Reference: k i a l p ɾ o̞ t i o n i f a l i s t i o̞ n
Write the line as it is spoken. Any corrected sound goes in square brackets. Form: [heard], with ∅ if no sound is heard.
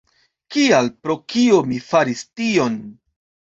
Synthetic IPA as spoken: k i a l p ɾ o̞ [k] i o [m] i f a [ɾ] i s t i o̞ n